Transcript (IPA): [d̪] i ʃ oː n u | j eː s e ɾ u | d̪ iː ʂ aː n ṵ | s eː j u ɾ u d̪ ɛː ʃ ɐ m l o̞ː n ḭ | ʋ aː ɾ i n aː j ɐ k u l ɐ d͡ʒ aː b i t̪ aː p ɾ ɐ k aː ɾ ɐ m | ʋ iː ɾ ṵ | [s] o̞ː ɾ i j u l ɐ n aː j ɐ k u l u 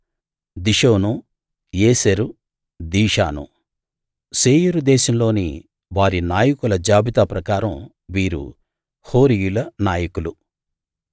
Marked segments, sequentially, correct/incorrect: correct, incorrect

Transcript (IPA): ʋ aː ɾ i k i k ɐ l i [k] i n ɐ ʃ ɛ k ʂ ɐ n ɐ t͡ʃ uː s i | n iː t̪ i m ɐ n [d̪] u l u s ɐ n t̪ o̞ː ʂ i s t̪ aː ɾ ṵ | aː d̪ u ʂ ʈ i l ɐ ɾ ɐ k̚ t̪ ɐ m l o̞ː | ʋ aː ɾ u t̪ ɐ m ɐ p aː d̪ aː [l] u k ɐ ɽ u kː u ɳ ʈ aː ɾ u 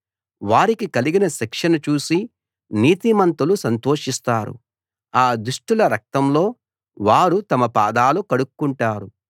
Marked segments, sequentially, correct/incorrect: incorrect, incorrect, correct

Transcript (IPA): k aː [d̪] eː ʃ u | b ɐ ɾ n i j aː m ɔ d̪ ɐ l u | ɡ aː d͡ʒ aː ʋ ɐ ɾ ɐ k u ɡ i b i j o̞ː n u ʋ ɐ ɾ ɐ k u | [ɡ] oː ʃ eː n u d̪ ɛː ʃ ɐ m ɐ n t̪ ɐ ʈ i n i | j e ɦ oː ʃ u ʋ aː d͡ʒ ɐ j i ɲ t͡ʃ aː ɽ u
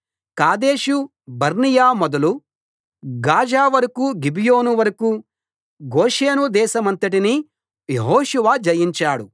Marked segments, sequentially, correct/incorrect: correct, correct

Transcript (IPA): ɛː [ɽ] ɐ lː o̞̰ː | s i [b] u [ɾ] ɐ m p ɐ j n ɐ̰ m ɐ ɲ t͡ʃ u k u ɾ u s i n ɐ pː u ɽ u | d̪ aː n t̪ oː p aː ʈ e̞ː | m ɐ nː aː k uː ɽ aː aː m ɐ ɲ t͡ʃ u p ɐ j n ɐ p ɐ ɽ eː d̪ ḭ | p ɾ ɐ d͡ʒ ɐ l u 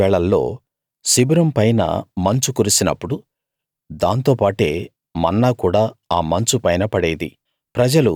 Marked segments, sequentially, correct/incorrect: incorrect, correct, correct

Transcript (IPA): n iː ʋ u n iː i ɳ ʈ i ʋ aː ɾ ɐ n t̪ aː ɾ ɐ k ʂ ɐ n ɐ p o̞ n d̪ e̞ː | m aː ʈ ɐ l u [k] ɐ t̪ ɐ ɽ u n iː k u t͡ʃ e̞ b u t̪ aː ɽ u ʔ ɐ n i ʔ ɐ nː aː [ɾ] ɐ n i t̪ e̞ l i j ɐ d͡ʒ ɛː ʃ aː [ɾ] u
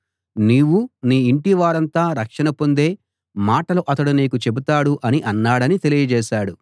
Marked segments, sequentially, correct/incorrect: incorrect, incorrect, incorrect

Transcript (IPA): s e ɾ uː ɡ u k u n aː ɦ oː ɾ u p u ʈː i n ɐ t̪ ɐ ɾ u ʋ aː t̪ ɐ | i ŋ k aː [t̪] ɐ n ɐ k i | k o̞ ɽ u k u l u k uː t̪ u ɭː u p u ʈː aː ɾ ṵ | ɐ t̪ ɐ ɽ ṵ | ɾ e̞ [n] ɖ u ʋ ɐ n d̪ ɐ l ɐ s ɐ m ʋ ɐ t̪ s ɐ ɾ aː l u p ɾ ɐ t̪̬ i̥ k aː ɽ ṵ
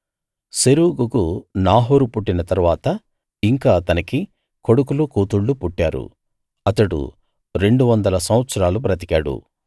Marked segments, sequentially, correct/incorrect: correct, incorrect

